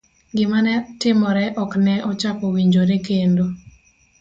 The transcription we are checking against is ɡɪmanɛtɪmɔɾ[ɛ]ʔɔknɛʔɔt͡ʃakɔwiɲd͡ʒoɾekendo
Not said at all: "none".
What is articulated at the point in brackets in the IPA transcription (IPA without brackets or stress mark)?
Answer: ɛ